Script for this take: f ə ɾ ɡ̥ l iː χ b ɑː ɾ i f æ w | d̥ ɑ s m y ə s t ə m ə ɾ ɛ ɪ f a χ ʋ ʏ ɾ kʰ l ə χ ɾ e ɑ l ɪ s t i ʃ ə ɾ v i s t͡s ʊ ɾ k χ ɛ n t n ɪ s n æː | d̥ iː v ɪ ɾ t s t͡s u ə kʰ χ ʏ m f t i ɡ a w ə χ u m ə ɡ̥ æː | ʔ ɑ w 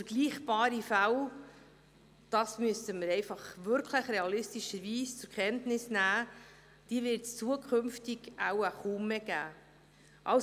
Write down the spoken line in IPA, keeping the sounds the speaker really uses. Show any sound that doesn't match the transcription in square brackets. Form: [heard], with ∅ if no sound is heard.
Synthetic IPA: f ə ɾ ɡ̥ l iː χ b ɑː ɾ i f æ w | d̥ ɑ s m y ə s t ə m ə ɾ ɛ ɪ f [ɑ] χ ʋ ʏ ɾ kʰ l ə χ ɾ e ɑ l ɪ s t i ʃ ə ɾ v [iː] s t͡s ʊ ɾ k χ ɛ n t n ɪ s n æː | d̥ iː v ɪ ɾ t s t͡s u ə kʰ χ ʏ m f t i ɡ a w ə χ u m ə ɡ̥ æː | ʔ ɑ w